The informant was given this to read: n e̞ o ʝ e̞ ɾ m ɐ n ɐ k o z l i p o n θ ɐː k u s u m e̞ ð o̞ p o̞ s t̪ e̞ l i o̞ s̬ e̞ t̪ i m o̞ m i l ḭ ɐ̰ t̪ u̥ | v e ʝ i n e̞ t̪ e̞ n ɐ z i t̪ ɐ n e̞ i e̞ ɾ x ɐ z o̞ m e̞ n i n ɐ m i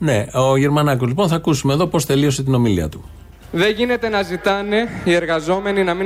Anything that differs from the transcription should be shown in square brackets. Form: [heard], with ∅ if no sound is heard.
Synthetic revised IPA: n e̞ o ʝ e̞ ɾ m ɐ n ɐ k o z l i p o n θ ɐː k u s u m e̞ ð o̞ p o̞ s t̪ e̞ l i o̞ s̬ e̞ t̪ i [n] o̞ m i l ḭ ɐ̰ t̪ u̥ | [ð] e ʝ i n e̞ t̪ e̞ n ɐ z i t̪ ɐ n e̞ i e̞ ɾ [ɣ] ɐ z o̞ m e̞ n i n ɐ m i